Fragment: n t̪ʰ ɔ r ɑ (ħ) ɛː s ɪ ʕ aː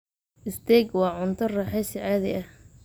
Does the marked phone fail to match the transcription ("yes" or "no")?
no